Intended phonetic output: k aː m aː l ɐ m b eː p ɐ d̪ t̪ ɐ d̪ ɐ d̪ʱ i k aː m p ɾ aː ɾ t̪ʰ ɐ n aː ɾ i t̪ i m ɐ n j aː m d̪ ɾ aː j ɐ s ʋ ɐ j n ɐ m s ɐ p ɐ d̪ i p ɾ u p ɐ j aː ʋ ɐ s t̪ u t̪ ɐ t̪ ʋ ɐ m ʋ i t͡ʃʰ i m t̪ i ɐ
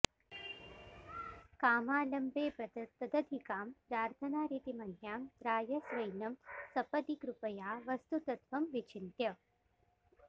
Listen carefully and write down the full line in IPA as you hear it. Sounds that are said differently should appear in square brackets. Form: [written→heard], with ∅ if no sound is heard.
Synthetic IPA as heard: k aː m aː l ɐ m b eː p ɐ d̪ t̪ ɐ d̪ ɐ d̪ʱ i k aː m p ɾ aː ɾ t̪ʰ ɐ n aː ɾ i t̪ i m ɐ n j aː m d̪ ɾ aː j ɐ s ʋ ɐ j n ɐ m s ɐ p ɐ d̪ i [p→k] ɾ u p ɐ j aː ʋ ɐ s t̪ u t̪ ɐ t̪ ʋ ɐ m ʋ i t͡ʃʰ i [m→n] t̪ [i→j] ɐ